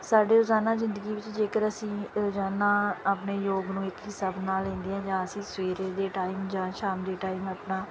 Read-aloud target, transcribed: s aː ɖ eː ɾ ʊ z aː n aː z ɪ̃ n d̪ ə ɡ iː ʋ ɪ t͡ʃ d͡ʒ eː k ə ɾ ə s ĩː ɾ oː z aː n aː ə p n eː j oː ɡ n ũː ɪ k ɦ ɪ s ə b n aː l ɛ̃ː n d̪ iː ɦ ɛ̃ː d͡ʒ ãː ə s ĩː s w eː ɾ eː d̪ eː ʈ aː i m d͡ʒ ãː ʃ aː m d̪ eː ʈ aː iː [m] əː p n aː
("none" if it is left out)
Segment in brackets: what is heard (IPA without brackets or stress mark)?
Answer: m